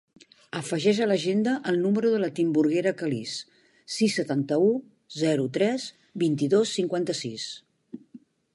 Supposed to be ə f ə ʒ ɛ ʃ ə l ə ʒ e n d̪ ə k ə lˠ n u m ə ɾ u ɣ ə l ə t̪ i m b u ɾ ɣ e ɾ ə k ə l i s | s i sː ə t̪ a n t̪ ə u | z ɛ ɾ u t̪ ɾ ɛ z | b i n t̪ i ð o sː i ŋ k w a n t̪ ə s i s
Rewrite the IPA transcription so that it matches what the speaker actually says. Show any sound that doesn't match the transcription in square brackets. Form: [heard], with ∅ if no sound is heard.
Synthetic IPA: ə f ə ʒ ɛ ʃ ə l ə ʒ e n d̪ ə [ʔ] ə lˠ n u m ə ɾ u [ð] ə l ə t̪ i m b u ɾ ɣ e ɾ ə k ə l i s | s i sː ə t̪ a n t̪ ə u | z ɛ ɾ u t̪ ɾ ɛ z | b i n t̪ i ð o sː i ŋ k w a n t̪ ə s i s